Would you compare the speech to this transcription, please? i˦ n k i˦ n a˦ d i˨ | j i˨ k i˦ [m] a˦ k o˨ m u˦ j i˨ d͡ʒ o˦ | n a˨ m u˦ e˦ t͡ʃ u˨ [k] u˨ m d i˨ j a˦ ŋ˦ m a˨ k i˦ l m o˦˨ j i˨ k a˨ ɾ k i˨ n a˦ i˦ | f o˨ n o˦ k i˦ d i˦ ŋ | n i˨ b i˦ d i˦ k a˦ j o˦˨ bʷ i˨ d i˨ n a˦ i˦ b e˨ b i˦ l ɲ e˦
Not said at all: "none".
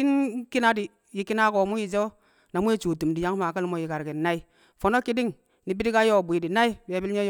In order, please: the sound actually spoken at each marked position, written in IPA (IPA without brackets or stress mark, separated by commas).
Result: n, t